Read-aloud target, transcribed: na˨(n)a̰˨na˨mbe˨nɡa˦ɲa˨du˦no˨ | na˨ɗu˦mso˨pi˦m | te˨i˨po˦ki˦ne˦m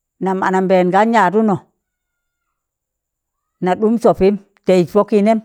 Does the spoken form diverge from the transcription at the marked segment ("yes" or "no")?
yes